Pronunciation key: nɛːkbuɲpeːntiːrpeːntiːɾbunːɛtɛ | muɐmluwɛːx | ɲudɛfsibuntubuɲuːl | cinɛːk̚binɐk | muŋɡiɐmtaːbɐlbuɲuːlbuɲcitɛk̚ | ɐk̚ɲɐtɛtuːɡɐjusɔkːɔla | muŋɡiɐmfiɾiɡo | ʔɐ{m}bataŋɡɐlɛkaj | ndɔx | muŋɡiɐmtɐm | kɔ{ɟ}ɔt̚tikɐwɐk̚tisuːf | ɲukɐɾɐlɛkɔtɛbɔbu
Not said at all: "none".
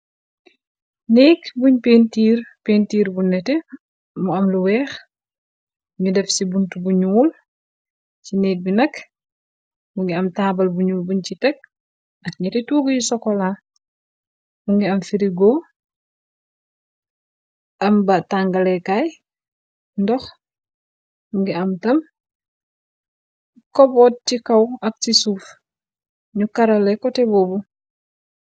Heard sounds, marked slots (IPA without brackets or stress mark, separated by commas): m, b